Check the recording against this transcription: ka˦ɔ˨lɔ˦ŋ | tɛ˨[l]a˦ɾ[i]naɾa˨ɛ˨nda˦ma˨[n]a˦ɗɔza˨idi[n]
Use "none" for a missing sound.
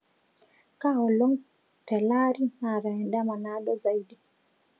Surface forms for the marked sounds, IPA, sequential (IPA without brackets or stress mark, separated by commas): l, i, n, none